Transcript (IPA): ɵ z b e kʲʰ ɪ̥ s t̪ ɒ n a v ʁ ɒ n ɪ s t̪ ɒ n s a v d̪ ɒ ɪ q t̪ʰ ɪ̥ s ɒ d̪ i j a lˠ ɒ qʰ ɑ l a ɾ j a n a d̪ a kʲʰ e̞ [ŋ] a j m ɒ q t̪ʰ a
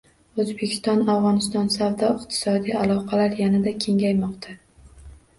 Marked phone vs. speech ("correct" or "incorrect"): correct